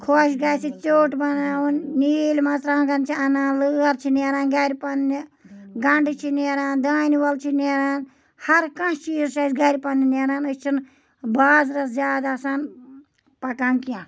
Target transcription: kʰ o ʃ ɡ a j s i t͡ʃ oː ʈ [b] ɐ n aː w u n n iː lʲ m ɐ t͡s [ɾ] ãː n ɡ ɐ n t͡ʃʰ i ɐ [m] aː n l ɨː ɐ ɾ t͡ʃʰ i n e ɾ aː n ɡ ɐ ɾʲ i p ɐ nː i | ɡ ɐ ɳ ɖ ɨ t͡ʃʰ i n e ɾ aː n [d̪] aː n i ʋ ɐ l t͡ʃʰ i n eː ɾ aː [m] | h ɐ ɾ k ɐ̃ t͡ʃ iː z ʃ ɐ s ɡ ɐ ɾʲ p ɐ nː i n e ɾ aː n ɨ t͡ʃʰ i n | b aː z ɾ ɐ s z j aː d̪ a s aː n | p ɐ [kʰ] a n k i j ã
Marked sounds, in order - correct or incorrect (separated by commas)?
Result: correct, correct, incorrect, correct, incorrect, incorrect